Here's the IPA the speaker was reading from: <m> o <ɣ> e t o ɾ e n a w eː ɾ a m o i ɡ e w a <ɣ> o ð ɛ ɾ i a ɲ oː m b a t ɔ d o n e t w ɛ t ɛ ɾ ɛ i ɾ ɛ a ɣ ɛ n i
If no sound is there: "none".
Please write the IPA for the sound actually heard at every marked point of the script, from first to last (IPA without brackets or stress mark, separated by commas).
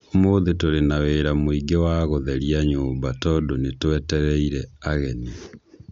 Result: m, ð, ɣ